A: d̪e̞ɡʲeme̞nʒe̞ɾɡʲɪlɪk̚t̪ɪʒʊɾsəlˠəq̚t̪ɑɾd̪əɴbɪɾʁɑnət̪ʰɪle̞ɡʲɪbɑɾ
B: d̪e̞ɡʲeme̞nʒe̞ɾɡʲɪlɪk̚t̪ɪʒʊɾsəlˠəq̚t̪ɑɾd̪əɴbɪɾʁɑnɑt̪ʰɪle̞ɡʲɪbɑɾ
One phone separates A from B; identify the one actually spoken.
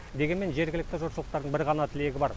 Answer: B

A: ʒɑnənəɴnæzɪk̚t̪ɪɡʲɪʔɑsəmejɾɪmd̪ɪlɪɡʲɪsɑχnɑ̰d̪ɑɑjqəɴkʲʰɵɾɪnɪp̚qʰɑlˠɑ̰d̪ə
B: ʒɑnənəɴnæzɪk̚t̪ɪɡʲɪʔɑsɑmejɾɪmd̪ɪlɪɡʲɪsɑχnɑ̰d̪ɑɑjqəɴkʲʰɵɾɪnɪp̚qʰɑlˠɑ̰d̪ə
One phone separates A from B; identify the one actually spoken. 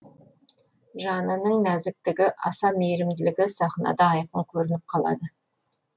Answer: B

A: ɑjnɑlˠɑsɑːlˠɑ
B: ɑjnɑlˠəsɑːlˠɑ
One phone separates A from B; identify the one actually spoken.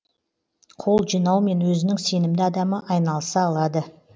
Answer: B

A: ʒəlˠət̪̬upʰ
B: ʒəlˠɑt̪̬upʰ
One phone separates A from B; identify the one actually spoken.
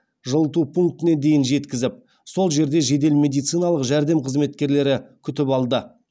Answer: A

